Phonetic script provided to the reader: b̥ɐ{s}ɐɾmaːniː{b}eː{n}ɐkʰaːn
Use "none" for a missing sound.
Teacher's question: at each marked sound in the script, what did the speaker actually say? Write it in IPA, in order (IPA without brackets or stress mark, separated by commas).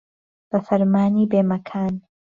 f, b, m